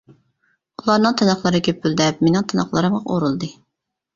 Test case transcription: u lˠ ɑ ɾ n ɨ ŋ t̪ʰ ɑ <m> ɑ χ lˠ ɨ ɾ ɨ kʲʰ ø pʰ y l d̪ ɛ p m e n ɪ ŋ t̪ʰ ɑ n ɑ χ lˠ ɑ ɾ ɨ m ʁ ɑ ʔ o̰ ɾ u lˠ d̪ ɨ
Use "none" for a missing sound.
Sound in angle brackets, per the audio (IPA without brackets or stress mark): n